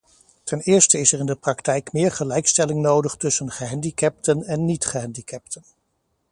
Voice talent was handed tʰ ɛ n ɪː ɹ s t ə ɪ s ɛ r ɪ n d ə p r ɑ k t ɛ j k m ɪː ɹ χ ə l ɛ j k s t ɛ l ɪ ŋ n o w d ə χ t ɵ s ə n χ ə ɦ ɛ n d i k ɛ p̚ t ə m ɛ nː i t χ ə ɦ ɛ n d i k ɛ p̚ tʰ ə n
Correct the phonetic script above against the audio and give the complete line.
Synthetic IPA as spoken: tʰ ɛ n ɪː ɹ s t ə ɪ s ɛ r ɪ n d ə p r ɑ k t ɛ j k m ɪː ɹ χ ə l ɛ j k s t ɛ l ɪ ŋ n o w d ə χ t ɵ s ə n χ ə ɦ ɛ n d i k ɛ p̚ t ə n ɛ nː i t χ ə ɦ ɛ n d i k ɛ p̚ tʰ ə n